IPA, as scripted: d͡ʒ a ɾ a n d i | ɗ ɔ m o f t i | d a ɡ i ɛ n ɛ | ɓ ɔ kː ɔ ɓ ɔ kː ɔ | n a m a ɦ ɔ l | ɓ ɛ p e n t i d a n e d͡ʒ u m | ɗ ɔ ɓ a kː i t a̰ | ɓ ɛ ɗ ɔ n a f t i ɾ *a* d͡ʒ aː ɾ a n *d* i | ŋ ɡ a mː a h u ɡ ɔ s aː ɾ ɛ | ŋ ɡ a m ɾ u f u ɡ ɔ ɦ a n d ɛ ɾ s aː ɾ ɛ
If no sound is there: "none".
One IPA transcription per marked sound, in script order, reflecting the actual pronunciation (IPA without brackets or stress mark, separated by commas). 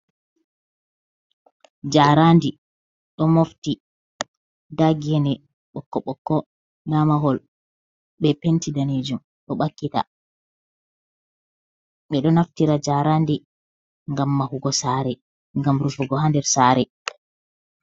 a, d